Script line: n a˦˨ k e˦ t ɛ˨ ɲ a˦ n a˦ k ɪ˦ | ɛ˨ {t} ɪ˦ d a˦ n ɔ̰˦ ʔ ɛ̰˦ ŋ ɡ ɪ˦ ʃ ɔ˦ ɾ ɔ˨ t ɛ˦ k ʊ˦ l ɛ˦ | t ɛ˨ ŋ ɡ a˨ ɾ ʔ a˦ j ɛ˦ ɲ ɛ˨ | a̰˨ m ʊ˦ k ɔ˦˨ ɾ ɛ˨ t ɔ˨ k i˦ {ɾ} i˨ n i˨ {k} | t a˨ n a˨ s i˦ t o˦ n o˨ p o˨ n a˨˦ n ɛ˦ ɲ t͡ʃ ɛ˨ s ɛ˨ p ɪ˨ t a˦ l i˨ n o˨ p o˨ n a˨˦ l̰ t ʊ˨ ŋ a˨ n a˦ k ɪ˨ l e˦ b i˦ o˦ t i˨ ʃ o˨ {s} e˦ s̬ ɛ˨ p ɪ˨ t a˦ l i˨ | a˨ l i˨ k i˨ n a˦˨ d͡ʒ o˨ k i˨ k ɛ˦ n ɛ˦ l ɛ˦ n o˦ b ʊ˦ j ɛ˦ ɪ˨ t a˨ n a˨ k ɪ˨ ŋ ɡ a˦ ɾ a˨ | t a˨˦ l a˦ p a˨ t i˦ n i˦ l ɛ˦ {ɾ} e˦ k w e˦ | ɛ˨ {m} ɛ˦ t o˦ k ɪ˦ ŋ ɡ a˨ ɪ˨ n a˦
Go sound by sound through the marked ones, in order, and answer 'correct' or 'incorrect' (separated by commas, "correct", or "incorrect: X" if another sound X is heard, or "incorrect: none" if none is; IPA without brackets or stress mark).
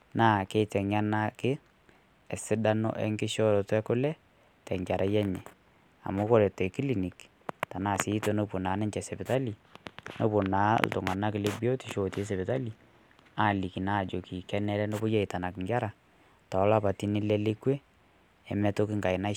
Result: incorrect: s, incorrect: l, correct, incorrect: t, incorrect: l, correct